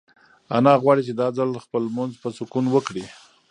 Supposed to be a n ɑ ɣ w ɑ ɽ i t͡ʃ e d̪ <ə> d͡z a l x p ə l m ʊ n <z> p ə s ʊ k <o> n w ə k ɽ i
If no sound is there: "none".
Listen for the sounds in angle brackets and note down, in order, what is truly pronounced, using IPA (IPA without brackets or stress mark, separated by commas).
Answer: ɑ, z, u